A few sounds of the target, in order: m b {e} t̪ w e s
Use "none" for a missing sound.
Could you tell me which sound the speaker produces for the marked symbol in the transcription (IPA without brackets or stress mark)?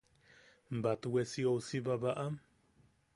a